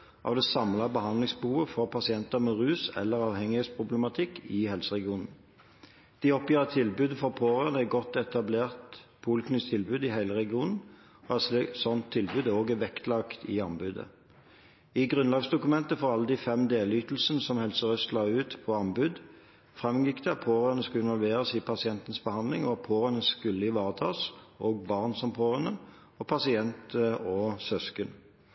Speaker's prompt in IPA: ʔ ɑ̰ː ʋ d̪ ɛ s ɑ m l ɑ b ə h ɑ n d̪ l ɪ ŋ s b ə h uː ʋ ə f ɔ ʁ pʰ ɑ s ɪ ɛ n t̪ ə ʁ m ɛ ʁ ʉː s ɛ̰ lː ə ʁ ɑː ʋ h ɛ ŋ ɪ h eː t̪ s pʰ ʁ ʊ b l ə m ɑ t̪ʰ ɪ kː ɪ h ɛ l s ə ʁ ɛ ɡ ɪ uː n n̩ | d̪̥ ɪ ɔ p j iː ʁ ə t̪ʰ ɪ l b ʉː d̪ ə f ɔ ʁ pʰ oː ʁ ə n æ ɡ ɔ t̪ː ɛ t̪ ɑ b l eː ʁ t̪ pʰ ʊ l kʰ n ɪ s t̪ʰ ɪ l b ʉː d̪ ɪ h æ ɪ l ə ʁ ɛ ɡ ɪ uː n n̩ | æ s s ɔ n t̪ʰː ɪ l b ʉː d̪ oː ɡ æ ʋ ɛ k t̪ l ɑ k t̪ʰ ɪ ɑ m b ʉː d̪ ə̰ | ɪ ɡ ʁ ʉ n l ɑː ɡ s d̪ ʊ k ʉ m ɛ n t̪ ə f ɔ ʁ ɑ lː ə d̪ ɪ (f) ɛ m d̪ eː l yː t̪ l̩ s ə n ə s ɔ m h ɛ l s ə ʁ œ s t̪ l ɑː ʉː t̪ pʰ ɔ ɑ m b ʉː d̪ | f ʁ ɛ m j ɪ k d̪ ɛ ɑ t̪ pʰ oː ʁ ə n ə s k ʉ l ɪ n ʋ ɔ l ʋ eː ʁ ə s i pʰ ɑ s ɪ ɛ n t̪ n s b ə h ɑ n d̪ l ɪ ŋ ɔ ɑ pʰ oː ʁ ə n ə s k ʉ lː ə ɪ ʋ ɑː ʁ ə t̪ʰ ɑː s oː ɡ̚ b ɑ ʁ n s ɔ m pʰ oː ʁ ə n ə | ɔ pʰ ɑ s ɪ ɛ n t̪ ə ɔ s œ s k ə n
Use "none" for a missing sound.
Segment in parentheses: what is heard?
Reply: f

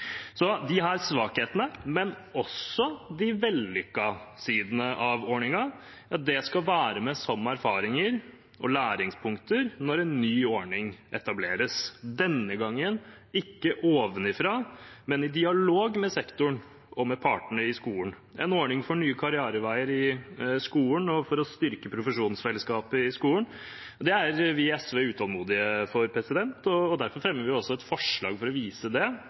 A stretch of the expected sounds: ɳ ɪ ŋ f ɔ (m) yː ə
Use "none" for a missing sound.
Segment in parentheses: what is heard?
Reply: ɳ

